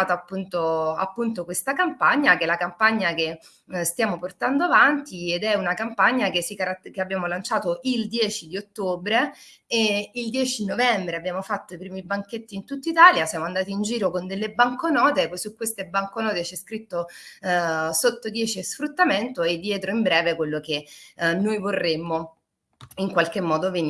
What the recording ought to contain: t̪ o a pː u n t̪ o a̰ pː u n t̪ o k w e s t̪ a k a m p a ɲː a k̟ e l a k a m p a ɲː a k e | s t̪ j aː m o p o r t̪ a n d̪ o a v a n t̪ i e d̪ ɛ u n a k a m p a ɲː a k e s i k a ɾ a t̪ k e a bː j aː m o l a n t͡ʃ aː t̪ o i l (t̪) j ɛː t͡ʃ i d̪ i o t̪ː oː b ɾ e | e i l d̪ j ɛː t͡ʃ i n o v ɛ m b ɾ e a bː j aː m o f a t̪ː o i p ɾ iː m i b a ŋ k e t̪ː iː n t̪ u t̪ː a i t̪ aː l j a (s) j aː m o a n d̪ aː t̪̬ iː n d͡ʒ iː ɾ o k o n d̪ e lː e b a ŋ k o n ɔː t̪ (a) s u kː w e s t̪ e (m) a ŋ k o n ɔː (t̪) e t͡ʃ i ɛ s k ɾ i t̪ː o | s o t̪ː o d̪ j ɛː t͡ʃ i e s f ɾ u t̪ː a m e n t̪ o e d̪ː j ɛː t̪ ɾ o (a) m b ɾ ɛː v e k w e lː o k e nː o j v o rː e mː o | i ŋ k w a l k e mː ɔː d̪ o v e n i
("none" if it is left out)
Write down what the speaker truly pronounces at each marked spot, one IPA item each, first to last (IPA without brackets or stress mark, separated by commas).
d̪, s, e, b, t̪, i